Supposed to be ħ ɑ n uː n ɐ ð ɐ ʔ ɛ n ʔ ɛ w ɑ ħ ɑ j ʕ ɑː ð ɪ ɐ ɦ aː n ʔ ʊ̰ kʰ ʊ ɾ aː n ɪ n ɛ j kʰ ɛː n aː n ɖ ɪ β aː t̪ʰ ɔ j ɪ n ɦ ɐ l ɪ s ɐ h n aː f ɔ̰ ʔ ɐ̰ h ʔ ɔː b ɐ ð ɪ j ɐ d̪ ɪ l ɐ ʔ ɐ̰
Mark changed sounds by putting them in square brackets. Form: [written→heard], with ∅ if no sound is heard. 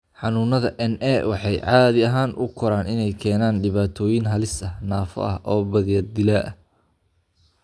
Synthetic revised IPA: ħ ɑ n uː n ɐ ð ɐ ʔ ɛ n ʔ ɛ w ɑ ħ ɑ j ʕ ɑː ð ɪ ɐ ɦ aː n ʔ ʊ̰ kʰ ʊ ɾ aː n ɪ n ɛ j kʰ ɛː n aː n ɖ ɪ β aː t̪ʰ [ɔ→ɔː] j ɪ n ɦ ɐ l ɪ s ɐ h n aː f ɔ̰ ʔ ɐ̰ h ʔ ɔː b ɐ ð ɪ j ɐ d̪ ɪ l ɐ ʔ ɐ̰

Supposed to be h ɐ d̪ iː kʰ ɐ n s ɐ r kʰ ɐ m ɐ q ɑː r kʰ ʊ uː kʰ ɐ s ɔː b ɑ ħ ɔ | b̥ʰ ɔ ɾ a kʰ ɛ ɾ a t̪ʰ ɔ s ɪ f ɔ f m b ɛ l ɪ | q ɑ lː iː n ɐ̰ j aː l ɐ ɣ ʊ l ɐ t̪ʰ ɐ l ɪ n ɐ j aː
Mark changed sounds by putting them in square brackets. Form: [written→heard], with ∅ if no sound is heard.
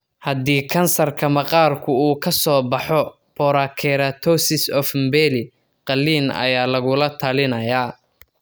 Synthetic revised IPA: h ɐ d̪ iː kʰ ɐ n s ɐ r kʰ ɐ m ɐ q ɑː r kʰ ʊ uː kʰ ɐ s ɔː b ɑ ħ ɔ | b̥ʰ ɔ ɾ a kʰ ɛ ɾ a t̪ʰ ɔ s ɪ [f→s] ɔ f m b ɛ l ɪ | q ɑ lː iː n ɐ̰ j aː l ɐ ɣ ʊ l ɐ t̪ʰ ɐ l ɪ n ɐ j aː

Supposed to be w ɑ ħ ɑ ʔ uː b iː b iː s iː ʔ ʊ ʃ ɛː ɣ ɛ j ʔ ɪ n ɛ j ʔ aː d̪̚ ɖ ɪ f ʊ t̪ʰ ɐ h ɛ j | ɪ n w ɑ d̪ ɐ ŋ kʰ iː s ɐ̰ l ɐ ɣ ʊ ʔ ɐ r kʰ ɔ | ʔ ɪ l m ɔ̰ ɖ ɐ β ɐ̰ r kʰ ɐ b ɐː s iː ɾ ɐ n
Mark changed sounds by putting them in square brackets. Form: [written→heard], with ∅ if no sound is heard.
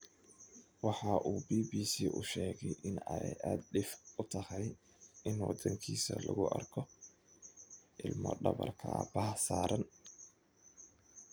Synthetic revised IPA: w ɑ ħ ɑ ʔ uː b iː b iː s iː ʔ ʊ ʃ ɛː ɣ ɛ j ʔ ɪ n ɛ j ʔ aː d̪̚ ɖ ɪ f ʊ t̪ʰ ɐ h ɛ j | ɪ n w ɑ d̪ ɐ ŋ kʰ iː s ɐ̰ l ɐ ɣ ʊ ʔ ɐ r kʰ ɔ | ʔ ɪ l m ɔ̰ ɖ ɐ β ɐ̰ r kʰ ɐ b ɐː s [iː→aː] ɾ ɐ n

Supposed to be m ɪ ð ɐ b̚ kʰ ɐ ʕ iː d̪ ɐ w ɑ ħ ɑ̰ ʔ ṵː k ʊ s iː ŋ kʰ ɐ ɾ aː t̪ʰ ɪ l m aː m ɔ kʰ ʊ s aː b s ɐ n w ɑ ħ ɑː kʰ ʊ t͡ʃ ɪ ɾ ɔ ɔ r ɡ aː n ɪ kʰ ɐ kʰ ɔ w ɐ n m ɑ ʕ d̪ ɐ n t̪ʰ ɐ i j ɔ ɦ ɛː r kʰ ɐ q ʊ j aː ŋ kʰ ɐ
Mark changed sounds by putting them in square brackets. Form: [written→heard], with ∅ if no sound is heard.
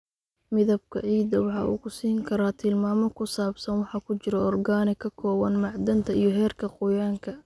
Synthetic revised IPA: m ɪ ð ɐ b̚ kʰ ɐ ʕ iː d̪ ɐ w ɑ ħ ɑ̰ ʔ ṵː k ʊ s iː ŋ kʰ ɐ ɾ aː t̪ʰ ɪ l m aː m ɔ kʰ ʊ s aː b s ɐ n w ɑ ħ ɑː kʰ ʊ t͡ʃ ɪ ɾ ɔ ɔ r ɡ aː n ɪ kʰ ɐ kʰ [ɔ→ɔː] w ɐ n m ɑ ʕ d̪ ɐ n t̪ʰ ɐ i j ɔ ɦ ɛː r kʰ ɐ q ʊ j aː ŋ kʰ ɐ

